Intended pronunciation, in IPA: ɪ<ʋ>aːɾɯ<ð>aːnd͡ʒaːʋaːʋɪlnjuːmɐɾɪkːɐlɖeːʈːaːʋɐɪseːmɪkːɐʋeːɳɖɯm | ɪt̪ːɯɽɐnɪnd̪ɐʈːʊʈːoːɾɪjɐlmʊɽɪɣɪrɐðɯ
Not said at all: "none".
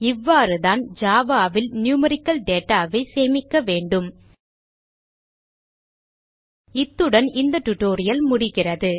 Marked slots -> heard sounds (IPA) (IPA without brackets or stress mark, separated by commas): ʋː, ð